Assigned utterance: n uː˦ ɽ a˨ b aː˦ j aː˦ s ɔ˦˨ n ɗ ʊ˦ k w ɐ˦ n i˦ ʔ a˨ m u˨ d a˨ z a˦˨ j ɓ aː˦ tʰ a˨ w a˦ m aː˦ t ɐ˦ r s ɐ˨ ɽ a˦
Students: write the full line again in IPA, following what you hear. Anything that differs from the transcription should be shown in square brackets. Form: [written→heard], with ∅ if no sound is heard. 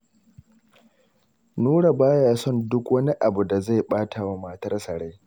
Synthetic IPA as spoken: n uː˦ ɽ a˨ b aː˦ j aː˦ s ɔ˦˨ n [ɗ→d] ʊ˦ k w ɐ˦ n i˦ ʔ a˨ [m→b] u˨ d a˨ z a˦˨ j ɓ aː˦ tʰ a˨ w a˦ m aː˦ t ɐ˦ r s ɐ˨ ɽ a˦

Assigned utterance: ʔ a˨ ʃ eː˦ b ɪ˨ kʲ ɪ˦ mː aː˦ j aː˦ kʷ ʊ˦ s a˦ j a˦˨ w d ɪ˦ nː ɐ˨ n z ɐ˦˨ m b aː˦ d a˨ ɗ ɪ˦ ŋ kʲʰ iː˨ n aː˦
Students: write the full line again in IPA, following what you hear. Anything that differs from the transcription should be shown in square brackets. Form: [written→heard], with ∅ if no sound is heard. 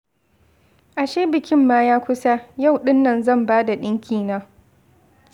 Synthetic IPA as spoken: ʔ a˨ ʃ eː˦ b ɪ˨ kʲ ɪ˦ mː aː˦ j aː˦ kʷ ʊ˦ s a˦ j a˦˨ w [d→ɗ] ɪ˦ nː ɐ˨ n z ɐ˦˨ m b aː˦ d a˨ ɗ ɪ˦ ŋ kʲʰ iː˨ n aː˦

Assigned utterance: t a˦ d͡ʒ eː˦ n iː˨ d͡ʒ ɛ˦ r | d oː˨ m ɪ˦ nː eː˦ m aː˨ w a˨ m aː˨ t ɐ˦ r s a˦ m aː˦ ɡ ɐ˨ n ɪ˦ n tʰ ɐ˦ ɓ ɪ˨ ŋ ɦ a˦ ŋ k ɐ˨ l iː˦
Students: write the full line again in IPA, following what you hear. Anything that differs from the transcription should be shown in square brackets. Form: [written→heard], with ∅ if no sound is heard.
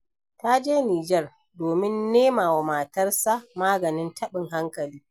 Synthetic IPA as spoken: t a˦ d͡ʒ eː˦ n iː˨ d͡ʒ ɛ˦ r | d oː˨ m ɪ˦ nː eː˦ m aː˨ w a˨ m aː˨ t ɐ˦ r s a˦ m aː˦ ɡ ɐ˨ n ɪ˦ n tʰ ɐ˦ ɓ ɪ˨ ŋ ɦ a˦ ŋ k ɐ˨ l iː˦

